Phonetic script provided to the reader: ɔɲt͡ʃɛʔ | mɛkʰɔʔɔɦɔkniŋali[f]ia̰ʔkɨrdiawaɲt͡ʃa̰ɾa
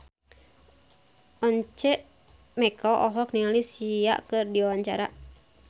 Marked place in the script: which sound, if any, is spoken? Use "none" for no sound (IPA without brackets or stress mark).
s